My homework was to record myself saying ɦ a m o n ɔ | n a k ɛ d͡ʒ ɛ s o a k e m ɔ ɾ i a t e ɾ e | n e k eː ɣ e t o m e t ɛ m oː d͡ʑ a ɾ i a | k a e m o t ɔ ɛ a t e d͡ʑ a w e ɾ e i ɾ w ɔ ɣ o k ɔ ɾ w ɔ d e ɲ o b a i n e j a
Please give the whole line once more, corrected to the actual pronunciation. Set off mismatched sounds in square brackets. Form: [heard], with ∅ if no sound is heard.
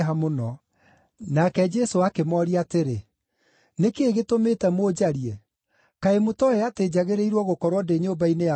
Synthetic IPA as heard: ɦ a m o n ɔ | n a k ɛ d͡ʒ ɛ s o a k e m ɔ ɾ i a t e ɾ e | n e k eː ɣ e t o m e t ɛ m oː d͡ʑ a ɾ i [ɛ] | k a e m o t ɔ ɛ a t e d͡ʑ a [ɣ] e ɾ e i ɾ w ɔ ɣ o k ɔ ɾ w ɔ d e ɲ o b a i n e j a